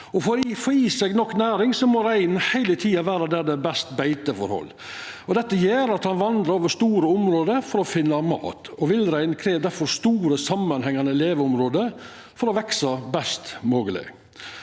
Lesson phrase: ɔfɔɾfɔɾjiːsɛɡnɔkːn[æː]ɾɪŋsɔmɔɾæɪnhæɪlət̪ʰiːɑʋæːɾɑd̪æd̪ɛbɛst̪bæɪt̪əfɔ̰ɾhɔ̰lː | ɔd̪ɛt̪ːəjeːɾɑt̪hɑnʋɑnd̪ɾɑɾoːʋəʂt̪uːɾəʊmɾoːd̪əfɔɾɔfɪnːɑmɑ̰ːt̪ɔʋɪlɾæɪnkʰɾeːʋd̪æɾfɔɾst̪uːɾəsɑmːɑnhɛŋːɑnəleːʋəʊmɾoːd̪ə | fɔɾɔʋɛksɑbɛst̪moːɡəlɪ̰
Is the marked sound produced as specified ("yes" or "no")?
yes